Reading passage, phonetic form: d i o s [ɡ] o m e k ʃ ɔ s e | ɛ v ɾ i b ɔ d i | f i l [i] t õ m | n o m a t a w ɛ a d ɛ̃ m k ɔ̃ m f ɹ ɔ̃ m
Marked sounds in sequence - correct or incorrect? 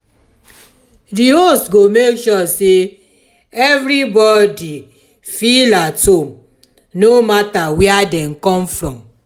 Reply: correct, incorrect: a

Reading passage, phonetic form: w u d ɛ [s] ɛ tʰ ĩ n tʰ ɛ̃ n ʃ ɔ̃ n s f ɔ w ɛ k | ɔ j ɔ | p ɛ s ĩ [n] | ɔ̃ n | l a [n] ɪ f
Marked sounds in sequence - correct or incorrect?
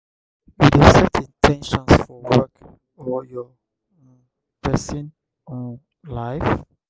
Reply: correct, correct, incorrect: none

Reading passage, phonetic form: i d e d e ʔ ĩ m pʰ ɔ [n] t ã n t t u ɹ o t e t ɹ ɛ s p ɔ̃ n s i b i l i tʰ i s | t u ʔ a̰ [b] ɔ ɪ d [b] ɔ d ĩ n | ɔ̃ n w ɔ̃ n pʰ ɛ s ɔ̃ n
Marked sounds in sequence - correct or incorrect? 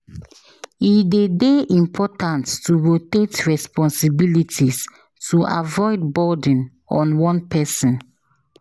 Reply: incorrect: none, incorrect: v, correct

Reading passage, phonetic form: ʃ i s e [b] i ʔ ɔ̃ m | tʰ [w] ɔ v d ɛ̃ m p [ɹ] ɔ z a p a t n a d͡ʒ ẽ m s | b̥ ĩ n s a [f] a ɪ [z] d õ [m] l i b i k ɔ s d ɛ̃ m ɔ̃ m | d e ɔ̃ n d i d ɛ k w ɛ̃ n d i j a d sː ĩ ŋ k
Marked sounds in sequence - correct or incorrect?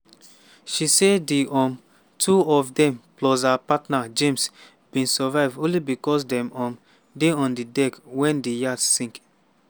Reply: incorrect: d, incorrect: u, incorrect: l, incorrect: v, incorrect: v, incorrect: n

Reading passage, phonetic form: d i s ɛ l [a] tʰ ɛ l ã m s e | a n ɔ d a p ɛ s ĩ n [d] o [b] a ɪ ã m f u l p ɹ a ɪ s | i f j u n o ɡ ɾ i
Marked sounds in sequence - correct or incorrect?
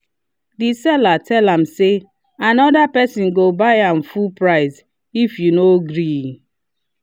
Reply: correct, incorrect: ɡ, correct

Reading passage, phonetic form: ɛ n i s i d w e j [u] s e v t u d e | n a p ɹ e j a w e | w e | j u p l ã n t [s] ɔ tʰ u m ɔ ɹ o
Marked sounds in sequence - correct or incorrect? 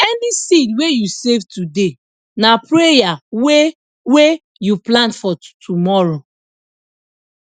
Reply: correct, incorrect: f

